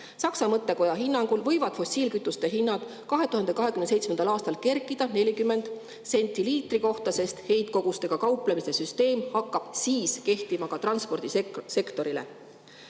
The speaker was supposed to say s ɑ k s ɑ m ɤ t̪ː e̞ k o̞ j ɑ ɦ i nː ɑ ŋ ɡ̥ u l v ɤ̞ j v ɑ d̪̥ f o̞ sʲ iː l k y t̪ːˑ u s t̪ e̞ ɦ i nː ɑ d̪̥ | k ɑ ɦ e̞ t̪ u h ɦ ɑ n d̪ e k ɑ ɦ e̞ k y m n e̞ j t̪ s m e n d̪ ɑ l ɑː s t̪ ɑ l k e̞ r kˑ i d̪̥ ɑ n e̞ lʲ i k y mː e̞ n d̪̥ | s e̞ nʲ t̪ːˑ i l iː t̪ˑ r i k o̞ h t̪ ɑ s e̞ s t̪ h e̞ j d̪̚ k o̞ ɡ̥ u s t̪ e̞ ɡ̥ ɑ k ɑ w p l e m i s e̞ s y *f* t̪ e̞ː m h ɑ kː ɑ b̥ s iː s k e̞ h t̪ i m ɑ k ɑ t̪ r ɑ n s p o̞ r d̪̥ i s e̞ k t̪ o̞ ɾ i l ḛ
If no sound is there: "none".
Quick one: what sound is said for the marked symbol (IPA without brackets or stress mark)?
s